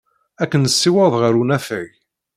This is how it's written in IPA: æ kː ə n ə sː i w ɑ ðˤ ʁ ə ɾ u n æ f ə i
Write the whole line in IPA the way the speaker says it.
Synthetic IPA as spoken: æ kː ə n ə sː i w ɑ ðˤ ʁ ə ɾ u n æ f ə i